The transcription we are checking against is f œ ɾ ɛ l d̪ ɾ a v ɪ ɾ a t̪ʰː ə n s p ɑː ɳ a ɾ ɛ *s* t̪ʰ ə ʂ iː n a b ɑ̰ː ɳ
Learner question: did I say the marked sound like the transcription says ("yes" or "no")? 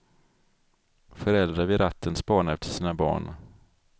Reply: no